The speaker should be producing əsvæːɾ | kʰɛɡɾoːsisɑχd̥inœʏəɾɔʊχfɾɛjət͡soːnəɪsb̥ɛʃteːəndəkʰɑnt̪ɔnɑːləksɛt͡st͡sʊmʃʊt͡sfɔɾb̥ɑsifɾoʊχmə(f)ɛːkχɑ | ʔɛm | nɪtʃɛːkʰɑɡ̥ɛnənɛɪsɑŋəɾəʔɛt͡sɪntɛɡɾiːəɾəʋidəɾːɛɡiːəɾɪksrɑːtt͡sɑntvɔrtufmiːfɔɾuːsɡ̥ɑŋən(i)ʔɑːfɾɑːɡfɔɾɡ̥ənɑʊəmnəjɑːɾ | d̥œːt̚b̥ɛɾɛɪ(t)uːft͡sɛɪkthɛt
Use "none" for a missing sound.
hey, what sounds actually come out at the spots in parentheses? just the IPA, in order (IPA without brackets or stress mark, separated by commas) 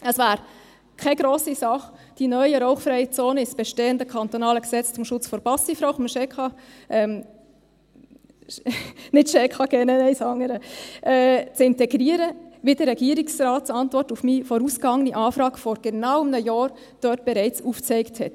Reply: ʃ, i, t͡s